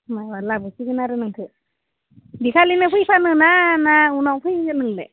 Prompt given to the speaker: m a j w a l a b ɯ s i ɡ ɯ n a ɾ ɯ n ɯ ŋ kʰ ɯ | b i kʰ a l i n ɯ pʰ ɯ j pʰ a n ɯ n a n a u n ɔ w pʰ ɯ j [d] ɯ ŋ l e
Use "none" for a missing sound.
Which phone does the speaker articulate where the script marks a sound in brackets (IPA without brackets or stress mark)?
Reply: n